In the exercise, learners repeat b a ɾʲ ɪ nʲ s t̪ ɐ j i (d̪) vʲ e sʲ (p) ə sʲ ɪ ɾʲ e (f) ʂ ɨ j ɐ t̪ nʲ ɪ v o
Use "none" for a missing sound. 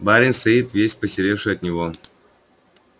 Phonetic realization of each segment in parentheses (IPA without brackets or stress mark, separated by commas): t̪, p, f